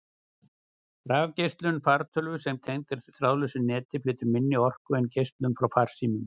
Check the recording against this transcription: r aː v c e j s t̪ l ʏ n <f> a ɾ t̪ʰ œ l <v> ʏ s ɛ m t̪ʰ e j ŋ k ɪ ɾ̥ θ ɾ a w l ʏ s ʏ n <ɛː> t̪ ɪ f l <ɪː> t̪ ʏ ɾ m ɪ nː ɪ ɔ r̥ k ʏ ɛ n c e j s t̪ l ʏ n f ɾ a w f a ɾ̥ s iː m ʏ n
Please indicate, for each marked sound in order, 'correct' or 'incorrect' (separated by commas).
correct, correct, correct, correct